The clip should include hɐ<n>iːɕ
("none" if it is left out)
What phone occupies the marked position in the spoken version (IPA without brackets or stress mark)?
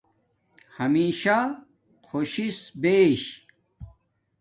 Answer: m